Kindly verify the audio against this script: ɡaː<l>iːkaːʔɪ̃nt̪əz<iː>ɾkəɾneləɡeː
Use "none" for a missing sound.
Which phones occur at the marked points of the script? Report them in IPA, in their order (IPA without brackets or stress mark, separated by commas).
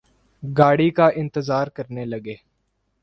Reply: ɽ, aː